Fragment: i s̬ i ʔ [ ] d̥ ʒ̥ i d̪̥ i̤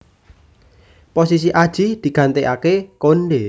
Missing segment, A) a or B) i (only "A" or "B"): A